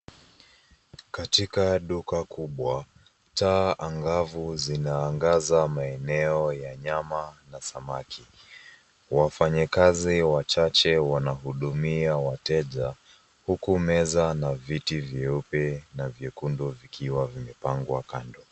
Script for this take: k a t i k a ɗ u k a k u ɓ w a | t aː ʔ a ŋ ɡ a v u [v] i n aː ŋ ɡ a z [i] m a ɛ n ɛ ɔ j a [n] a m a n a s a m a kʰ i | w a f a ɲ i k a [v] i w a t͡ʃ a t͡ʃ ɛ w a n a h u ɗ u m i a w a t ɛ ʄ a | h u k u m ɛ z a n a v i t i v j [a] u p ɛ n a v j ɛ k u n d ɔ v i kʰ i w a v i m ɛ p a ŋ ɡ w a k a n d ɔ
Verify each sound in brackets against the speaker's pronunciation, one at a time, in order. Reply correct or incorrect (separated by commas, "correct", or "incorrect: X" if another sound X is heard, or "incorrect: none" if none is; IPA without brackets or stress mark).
incorrect: z, incorrect: a, incorrect: ɲ, incorrect: z, incorrect: ɛ